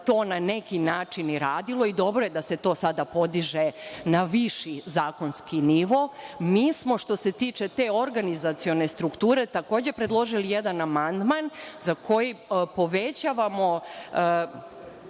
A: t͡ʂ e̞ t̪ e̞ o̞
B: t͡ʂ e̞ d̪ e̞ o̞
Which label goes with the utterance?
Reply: A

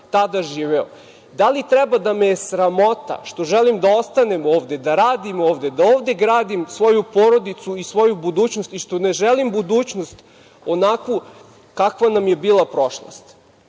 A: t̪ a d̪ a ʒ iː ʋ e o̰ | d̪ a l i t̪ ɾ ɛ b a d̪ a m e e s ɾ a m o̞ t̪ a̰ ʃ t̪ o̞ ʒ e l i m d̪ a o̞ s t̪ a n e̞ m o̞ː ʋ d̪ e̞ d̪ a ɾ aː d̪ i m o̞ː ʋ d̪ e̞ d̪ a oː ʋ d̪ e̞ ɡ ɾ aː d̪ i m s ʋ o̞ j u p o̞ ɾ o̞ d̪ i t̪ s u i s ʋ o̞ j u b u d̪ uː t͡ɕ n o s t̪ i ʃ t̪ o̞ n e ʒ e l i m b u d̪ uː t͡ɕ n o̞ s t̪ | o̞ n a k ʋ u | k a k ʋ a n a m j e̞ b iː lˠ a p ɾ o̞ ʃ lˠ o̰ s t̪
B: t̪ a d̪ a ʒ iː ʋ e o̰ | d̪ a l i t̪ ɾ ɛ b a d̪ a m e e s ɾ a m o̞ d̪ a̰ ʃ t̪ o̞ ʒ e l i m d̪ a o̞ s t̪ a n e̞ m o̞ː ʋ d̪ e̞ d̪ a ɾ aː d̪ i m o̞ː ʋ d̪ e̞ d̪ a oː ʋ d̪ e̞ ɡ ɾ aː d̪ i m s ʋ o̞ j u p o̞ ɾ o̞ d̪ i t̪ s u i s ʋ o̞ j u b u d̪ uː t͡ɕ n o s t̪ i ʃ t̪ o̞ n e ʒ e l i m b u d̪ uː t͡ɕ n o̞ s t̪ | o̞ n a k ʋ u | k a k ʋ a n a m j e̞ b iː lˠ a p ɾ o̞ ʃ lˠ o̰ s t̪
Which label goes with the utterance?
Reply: A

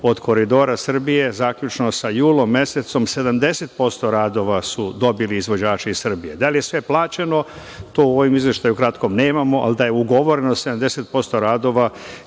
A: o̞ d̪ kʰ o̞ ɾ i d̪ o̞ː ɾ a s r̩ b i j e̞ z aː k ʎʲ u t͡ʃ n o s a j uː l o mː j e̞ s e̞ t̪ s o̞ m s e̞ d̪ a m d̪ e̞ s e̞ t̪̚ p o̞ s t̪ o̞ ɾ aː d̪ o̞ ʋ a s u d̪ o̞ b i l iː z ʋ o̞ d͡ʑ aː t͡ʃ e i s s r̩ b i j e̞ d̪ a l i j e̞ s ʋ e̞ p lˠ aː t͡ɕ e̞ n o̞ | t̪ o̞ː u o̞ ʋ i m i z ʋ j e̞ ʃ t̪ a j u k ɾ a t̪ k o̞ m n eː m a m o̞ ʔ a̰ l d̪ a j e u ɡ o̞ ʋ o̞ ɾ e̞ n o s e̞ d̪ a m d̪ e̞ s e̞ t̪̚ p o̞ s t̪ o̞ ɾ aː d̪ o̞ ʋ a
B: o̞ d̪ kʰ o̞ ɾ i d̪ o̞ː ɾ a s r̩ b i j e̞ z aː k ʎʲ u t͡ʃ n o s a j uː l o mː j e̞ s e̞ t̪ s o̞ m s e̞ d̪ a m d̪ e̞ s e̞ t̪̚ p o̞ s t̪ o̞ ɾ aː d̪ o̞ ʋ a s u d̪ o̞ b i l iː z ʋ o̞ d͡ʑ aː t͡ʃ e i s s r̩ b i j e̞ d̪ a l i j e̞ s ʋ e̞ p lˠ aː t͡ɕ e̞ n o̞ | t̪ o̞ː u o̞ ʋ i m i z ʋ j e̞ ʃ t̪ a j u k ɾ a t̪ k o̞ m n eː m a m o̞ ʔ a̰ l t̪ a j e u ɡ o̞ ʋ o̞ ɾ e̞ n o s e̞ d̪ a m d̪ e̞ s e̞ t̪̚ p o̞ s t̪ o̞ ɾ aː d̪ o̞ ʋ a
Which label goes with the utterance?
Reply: A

